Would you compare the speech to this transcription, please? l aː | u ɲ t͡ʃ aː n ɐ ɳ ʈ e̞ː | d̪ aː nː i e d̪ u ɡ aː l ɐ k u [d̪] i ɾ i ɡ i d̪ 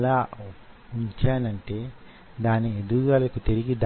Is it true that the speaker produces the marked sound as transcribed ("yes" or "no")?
no